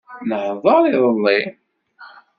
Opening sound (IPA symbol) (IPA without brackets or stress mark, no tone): n